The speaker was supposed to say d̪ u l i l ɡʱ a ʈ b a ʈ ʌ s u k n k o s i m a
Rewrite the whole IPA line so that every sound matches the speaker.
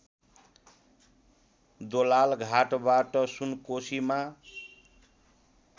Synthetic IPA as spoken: d̪ o l a l ɡʱ a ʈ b a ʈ ʌ s u n k o s i m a